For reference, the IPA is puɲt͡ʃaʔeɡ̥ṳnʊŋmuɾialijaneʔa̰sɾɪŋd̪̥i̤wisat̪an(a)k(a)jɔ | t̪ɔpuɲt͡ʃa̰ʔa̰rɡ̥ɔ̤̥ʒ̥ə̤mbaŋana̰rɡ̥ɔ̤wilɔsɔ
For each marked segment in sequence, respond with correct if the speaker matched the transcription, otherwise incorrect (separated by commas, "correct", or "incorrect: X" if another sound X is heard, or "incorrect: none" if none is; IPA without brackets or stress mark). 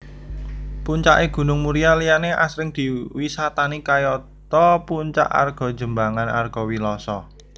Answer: incorrect: i, correct